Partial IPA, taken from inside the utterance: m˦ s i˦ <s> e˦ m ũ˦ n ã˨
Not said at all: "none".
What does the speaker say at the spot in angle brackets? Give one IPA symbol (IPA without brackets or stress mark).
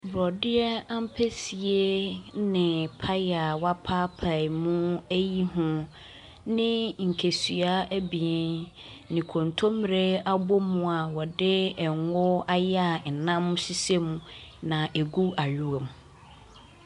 s